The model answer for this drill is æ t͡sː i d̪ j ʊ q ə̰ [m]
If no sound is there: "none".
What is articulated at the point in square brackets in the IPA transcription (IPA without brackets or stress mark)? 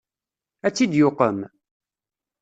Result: m